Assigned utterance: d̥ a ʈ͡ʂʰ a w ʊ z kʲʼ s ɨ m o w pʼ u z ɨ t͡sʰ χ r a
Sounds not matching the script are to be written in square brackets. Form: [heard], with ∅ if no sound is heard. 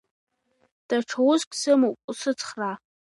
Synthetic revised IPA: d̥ a ʈ͡ʂʰ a w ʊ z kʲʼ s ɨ m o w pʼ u [s] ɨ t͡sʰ χ r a